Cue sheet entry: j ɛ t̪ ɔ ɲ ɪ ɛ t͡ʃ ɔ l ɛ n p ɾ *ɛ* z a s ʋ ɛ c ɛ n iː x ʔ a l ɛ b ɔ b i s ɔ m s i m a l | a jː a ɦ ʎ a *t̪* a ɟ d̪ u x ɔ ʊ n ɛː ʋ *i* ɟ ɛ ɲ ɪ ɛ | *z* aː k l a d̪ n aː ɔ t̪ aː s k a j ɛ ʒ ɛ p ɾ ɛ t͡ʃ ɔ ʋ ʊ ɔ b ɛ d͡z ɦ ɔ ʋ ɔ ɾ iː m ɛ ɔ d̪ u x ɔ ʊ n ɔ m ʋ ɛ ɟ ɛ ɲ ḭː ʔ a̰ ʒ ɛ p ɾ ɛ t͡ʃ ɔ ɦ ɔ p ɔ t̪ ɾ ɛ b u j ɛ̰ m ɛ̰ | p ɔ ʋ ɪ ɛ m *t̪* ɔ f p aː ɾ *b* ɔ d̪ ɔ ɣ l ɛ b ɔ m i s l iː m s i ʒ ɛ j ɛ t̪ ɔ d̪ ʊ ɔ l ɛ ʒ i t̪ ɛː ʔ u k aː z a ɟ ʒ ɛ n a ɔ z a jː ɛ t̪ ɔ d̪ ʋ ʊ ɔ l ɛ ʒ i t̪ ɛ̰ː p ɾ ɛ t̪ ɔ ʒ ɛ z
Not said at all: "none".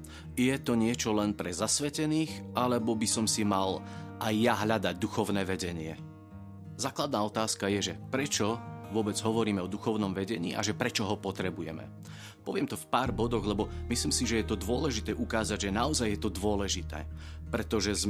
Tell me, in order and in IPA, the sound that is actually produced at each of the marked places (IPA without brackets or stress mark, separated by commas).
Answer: ɛ, d̪, ɛ, z, t̪, b